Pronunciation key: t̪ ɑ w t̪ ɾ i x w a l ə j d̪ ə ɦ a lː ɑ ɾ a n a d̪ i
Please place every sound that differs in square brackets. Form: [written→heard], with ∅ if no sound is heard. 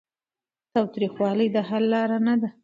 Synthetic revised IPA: t̪ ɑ w t̪ ɾ i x w [a→ɑ] l ə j d̪ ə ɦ a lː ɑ ɾ a n a d̪ [i→a]